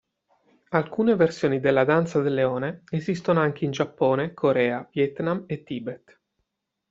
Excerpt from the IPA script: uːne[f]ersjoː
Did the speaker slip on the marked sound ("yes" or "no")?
yes